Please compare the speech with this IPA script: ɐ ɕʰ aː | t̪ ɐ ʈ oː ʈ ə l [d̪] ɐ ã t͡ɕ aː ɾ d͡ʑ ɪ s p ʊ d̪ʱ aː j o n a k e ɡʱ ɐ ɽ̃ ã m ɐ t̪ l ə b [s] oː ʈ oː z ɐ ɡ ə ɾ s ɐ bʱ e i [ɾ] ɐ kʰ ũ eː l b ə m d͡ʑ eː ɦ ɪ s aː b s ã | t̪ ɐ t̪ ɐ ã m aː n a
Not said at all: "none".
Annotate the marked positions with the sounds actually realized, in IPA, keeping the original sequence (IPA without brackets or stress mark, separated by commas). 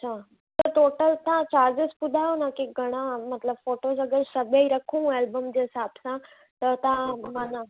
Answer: t̪, f, ɾ